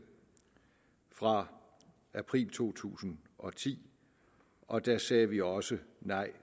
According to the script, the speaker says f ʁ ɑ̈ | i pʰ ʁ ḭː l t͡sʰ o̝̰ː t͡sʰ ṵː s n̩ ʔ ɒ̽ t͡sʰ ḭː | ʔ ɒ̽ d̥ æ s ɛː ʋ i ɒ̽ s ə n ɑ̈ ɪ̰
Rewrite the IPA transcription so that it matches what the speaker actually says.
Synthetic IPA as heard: f ʁ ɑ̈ | æ pʰ ʁ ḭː l t͡sʰ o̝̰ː t͡sʰ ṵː s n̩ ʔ ɒ̽ t͡sʰ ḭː | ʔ ɒ̽ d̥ æ s ɛː ʋ i ɒ̽ s ə n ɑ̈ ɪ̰